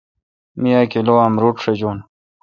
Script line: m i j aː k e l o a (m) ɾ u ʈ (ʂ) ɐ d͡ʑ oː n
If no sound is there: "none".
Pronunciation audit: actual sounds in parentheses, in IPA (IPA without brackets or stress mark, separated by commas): m, ʂ